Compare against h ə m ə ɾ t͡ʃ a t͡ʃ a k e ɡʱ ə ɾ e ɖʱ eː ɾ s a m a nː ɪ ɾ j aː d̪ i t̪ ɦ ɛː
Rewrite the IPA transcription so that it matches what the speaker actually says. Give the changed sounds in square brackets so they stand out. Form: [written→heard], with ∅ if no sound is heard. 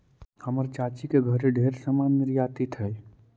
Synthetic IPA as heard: h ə m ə ɾ t͡ʃ a t͡ʃ [a→i] k e ɡʱ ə ɾ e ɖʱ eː ɾ s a m a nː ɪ ɾ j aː [d̪→t̪] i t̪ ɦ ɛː